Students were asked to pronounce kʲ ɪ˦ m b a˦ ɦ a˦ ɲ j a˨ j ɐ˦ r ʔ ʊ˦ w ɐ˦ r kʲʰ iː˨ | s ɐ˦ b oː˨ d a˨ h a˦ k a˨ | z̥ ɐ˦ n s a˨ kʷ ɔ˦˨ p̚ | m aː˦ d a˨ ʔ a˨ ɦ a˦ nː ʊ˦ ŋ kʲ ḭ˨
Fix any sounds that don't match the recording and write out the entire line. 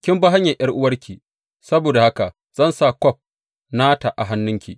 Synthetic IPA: kʲ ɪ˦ m b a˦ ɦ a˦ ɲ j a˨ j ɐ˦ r ʔ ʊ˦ w ɐ˦ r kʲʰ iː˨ | s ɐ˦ b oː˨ d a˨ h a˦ k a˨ | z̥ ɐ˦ n s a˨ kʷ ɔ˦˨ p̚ | n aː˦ t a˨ ʔ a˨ ɦ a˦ nː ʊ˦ ŋ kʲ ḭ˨